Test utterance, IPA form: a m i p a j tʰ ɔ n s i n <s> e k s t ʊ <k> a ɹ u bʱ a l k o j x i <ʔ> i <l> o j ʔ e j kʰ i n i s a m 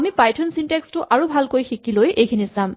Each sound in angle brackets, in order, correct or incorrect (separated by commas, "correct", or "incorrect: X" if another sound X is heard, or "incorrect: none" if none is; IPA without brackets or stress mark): incorrect: t, incorrect: ʔ, incorrect: k, correct